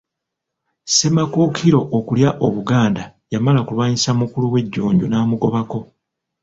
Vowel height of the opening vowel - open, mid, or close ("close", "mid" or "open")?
mid